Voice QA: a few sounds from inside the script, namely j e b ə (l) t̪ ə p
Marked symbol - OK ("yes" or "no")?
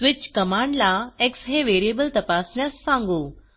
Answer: yes